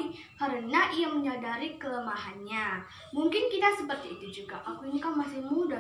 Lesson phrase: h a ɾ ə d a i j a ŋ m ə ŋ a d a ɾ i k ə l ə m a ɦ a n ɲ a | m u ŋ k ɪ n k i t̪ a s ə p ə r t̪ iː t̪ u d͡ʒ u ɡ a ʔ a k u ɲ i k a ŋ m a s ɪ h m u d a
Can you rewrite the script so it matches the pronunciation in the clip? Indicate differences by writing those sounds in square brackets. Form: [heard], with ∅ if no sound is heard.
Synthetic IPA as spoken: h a ɾ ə [n] a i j a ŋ m ə [ɲ] a d a ɾ i k ə l ə m a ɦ a n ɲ a | m u ŋ k ɪ n k i t̪ a s ə p ə r t̪ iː t̪ u d͡ʒ u ɡ a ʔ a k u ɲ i k a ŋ m a s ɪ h m u d a